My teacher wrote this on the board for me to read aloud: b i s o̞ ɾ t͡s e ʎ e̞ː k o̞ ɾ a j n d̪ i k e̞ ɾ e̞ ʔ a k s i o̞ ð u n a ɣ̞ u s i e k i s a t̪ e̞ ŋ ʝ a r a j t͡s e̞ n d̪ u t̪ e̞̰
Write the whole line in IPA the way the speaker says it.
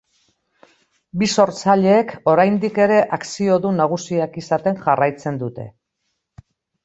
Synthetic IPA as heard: b i s o̞ ɾ t͡s a ʎ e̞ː k o̞ ɾ a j n d̪ i k e̞ ɾ e̞ ʔ a k s i o̞ ð u n a ɣ̞ u s i a k i s a t̪ e̞ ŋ ʝ a r a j t͡s e̞ n d̪ u t̪ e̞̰